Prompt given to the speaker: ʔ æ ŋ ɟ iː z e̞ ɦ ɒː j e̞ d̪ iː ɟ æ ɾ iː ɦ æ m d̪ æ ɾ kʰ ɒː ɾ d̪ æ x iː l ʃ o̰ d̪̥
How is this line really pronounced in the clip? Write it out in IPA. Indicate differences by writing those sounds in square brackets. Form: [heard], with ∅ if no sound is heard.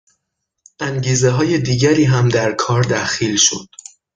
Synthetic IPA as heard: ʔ æ ŋ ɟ iː z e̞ ɦ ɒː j e̞ d̪ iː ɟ æ ɾ iː ɦ æ m d̪ æ ɾ kʰ ɒː ɾ d̪ æ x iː l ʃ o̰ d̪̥